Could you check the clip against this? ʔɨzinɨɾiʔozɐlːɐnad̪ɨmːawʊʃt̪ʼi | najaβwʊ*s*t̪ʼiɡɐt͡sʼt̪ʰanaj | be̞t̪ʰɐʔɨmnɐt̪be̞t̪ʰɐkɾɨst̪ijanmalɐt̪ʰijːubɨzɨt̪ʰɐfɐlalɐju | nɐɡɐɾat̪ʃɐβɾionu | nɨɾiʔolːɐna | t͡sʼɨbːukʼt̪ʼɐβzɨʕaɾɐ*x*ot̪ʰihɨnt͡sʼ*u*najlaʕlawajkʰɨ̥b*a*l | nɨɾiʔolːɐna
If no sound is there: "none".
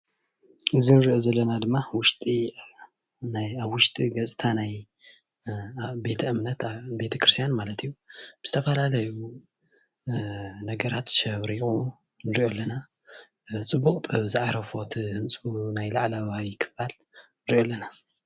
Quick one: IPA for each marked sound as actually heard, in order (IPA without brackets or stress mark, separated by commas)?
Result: ʃ, f, u, a